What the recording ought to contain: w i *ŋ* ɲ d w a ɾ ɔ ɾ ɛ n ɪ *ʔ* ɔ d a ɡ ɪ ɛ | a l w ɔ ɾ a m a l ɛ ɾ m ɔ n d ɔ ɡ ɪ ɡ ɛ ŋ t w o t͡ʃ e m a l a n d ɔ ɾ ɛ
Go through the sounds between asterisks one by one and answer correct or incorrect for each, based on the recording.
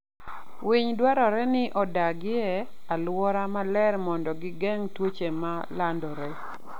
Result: incorrect, correct

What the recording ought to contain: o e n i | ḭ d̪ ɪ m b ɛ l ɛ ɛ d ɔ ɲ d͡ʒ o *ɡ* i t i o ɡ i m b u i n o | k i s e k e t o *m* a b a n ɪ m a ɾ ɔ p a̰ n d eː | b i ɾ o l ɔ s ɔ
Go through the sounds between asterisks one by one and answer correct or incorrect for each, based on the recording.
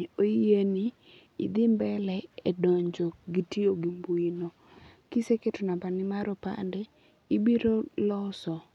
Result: correct, incorrect

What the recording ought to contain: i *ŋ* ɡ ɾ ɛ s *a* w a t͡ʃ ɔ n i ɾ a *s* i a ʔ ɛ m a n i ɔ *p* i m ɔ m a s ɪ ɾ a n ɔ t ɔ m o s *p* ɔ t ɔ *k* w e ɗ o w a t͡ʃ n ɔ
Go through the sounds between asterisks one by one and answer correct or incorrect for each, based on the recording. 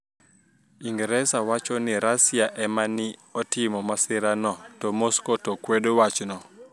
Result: correct, correct, correct, incorrect, incorrect, correct

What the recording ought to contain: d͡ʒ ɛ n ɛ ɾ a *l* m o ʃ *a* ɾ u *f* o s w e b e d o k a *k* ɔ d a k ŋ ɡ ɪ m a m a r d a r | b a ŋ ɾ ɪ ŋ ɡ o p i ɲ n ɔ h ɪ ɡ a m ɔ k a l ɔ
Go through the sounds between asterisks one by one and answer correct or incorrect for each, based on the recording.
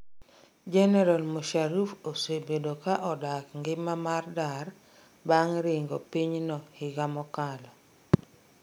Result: correct, correct, correct, incorrect

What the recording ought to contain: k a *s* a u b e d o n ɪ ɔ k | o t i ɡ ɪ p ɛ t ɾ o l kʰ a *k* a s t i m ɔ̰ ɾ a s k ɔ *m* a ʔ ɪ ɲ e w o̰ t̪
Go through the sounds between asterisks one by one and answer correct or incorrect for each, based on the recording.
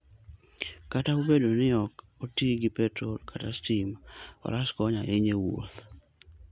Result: incorrect, incorrect, incorrect

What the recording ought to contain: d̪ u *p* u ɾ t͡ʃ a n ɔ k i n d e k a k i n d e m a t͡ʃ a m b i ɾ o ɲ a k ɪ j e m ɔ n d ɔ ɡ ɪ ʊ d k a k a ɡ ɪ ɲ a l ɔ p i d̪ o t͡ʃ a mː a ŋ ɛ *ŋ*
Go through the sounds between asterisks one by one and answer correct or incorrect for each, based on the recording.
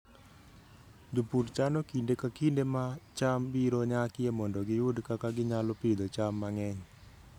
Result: correct, incorrect

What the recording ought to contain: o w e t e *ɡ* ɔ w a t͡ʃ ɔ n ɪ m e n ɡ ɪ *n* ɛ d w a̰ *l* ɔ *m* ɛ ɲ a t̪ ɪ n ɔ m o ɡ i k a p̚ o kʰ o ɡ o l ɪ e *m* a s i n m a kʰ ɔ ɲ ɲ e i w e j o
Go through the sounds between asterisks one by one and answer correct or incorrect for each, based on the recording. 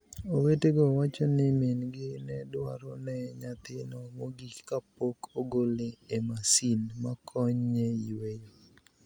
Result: correct, correct, incorrect, incorrect, correct

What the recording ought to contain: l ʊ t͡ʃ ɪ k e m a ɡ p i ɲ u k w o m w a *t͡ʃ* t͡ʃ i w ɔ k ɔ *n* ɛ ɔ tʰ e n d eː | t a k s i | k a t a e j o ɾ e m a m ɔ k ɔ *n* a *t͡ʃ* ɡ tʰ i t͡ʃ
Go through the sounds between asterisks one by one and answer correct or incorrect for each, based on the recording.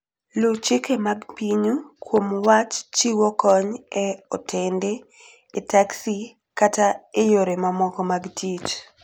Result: correct, incorrect, incorrect, incorrect

